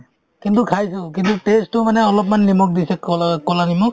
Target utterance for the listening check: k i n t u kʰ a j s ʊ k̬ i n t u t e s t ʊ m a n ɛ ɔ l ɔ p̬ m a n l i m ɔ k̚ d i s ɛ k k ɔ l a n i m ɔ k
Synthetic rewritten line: k i n t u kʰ a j s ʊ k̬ i n t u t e s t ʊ m a n ɛ ɔ l ɔ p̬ m a n l i m ɔ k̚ d i s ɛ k k ɔ l a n i m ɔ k